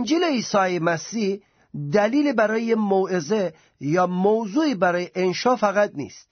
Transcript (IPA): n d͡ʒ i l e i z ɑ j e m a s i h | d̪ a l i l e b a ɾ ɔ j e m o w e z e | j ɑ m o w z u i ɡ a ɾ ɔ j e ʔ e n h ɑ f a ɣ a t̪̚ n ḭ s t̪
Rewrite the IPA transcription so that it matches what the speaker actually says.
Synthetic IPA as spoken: n d͡ʒ i l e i s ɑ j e m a s i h | d̪ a l i l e b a ɾ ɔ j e m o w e z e | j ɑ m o w z u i b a ɾ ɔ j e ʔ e n ʃ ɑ f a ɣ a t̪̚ n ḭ s t̪